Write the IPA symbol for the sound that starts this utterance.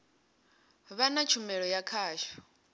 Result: β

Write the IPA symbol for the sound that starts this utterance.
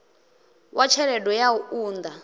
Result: w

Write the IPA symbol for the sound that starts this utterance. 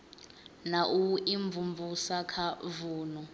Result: n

